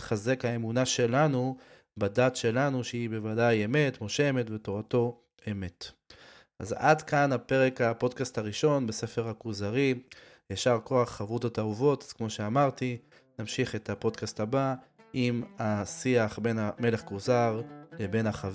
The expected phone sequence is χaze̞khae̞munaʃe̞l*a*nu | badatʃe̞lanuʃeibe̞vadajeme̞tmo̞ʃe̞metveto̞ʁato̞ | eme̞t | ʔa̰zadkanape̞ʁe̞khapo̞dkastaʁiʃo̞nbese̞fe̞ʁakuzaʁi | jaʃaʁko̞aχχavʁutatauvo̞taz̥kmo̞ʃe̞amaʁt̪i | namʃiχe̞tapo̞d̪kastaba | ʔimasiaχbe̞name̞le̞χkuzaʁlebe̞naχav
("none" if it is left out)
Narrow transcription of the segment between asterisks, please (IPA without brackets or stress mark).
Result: a